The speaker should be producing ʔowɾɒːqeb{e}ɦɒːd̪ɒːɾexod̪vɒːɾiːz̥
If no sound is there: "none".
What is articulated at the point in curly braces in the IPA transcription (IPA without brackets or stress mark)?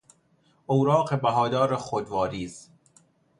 æ